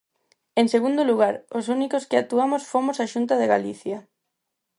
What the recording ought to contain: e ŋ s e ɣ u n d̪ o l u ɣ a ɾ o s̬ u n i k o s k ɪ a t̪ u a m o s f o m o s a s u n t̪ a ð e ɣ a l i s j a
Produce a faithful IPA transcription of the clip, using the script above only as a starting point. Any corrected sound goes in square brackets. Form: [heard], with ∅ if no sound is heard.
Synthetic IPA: e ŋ s e ɣ u n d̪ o l u ɣ a ɾ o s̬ u n i k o s k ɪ a t̪ u a m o s f o m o s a [ʃ] u n t̪ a ð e ɣ a l i [θ] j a